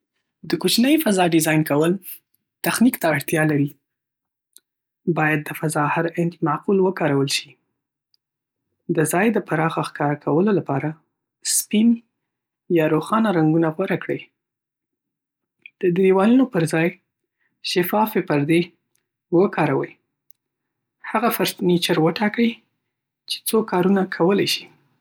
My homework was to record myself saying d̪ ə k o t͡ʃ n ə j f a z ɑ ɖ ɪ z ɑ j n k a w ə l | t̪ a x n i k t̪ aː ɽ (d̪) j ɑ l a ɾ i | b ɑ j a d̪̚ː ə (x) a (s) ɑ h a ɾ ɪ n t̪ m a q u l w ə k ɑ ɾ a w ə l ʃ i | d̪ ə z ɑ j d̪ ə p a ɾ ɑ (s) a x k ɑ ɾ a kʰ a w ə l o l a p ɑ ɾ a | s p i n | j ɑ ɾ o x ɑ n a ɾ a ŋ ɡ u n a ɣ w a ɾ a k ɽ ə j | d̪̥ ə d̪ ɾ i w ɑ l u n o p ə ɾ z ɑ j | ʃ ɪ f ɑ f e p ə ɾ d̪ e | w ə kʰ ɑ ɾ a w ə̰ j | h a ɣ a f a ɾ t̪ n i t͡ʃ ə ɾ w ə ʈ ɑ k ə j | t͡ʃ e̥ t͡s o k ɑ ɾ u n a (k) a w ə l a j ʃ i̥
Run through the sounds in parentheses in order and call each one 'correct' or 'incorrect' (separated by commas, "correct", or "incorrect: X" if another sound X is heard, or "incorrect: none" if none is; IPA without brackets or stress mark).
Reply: incorrect: t̪, incorrect: f, incorrect: z, incorrect: x, incorrect: kʰ